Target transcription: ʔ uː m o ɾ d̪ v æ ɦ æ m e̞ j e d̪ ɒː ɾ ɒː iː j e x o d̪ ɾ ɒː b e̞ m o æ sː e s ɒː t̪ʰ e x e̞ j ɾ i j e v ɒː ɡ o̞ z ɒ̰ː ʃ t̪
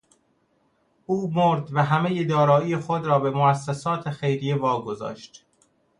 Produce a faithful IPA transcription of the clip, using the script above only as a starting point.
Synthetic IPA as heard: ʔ uː m o ɾ d̪ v æ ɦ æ m e̞ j e d̪ ɒː ɾ ɒː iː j e x o d̪ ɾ ɒː b e̞ m o æ sː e s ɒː t̪ʰ e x e̞ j ɾ i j e v ɒː ɡ o̞ z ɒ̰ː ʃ t̪